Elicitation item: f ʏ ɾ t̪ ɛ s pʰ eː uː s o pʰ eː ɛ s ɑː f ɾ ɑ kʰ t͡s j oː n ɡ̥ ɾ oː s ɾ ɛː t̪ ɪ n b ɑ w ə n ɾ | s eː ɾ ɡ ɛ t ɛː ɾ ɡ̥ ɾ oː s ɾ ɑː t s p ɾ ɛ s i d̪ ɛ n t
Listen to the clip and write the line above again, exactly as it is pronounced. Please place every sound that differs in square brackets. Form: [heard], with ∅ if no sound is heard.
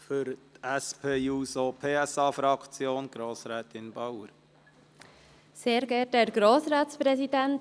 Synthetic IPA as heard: f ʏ ɾ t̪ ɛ s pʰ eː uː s o pʰ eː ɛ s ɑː f ɾ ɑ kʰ t͡s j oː n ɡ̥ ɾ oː s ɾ ɛː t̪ ɪ n b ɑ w ə [∅] ɾ | s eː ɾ ɡ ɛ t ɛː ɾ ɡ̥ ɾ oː s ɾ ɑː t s p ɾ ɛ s i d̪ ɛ n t